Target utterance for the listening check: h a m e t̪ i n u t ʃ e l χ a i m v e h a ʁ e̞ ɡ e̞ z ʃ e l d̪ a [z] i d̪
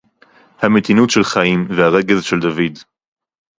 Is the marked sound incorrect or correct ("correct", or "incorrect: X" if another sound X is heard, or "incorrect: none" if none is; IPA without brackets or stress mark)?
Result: incorrect: v